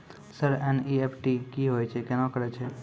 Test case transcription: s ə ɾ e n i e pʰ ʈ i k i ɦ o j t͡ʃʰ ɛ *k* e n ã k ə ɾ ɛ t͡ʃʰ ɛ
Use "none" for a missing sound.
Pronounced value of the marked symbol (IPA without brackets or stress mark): k